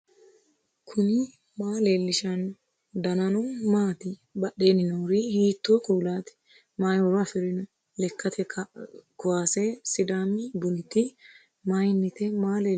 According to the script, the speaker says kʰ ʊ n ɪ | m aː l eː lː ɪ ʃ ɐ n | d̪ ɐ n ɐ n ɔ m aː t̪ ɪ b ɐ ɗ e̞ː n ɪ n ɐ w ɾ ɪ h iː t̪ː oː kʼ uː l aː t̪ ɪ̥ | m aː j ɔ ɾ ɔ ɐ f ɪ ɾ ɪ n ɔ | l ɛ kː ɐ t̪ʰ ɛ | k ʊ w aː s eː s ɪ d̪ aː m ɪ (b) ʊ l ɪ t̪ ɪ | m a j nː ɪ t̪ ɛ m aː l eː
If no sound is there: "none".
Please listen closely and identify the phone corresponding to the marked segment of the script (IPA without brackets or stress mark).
b